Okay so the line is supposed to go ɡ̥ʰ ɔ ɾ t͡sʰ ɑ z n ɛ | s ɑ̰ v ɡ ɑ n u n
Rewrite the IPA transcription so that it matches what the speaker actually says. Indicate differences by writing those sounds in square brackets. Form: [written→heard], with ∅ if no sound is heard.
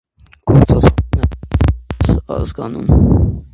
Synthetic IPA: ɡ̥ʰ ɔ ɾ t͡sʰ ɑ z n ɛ | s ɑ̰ [v→z] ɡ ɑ n u [n→m]